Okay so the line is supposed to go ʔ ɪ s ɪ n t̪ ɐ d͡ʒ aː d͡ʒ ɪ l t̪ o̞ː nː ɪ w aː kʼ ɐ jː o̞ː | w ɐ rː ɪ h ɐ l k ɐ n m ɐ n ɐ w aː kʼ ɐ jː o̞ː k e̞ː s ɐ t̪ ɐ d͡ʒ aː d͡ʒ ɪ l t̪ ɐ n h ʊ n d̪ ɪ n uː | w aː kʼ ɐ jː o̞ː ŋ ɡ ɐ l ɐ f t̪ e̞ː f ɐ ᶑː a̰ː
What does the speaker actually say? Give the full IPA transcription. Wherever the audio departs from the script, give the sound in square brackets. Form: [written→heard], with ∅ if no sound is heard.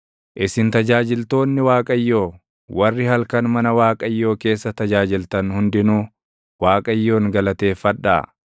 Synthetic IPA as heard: ʔ ɪ s ɪ n t̪ ɐ d͡ʒ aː d͡ʒ ɪ l t̪ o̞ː nː ɪ w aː kʼ ɐ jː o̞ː | w ɐ rː ɪ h ɐ l k ɐ n m ɐ n ɐ w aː kʼ ɐ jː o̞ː k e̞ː [s→sː] ɐ t̪ ɐ d͡ʒ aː d͡ʒ ɪ l t̪ ɐ n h ʊ n d̪ ɪ n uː | w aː kʼ ɐ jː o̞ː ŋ ɡ ɐ l ɐ [f→∅] t̪ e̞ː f ɐ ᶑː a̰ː